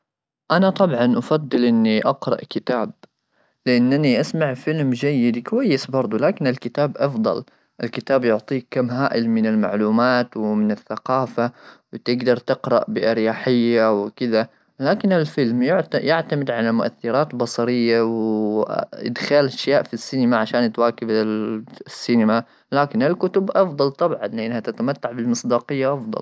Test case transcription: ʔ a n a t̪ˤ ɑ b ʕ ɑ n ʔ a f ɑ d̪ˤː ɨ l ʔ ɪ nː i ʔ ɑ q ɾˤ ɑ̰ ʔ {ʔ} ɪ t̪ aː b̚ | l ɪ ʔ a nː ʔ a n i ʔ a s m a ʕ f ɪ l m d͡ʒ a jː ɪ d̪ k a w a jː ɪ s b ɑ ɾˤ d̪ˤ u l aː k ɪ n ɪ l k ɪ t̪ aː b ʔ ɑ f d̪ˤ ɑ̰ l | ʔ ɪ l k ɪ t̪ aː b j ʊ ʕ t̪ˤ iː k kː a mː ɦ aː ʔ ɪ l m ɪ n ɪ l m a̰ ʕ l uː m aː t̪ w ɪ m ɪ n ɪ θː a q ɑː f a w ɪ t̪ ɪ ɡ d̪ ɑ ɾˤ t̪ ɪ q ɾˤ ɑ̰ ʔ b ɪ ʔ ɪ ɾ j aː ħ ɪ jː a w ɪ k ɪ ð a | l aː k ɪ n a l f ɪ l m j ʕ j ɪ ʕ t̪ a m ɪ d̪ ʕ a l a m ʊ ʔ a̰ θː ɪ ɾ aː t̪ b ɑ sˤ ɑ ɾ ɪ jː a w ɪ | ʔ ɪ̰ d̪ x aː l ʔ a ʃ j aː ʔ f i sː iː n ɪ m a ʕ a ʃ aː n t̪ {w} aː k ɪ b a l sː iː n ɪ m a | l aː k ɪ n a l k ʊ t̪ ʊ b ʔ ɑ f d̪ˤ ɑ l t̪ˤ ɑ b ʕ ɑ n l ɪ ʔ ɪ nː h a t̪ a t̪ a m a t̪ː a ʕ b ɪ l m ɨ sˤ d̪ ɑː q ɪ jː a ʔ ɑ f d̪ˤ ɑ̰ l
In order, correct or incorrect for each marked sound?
incorrect: k, correct

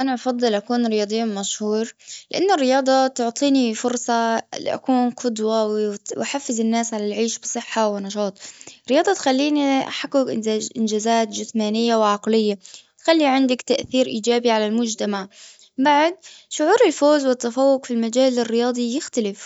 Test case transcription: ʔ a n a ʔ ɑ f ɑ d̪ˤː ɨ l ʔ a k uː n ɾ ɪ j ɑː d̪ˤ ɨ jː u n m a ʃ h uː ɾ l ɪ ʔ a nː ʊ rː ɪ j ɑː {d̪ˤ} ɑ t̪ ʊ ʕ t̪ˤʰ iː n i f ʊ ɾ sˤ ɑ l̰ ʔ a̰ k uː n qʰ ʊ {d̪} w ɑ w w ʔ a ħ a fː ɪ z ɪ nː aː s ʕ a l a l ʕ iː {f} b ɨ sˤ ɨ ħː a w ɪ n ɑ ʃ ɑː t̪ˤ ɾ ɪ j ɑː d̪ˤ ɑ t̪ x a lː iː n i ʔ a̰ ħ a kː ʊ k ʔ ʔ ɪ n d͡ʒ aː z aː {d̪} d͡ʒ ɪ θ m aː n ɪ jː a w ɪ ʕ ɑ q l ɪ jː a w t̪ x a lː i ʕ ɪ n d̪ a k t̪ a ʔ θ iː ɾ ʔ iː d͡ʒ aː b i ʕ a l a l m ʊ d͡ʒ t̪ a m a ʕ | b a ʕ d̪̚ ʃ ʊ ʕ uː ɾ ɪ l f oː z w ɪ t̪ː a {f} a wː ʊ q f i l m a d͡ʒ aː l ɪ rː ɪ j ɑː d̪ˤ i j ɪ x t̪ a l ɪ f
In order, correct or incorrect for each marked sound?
correct, correct, incorrect: ʃ, incorrect: t̪, correct

